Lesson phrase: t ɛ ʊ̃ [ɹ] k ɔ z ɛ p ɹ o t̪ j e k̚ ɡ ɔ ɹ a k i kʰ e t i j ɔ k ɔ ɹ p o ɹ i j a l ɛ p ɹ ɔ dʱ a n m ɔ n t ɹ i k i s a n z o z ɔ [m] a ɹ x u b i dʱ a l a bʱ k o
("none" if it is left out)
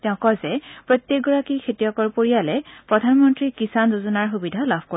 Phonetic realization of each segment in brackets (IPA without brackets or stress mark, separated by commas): none, n